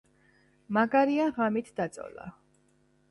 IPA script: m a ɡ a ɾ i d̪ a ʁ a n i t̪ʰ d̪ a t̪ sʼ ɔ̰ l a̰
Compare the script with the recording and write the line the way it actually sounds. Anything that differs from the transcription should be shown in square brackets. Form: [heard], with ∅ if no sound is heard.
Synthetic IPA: m a ɡ a ɾ i [∅] a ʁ a [m] i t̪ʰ d̪ a t̪ sʼ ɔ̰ l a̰